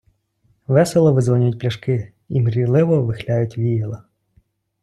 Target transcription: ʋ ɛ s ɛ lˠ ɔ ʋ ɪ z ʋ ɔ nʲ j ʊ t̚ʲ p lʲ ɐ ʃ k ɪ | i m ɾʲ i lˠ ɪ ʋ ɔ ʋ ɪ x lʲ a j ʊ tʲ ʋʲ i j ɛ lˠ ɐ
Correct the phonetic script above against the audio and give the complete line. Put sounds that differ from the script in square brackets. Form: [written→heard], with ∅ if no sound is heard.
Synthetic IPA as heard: ʋ ɛ s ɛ lˠ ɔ ʋ ɪ z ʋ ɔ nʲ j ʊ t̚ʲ p lʲ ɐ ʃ k ɪ | i m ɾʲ i lˠ ɪ ʋ ɔ ʋ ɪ x lʲ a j ʊ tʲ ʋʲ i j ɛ lˠ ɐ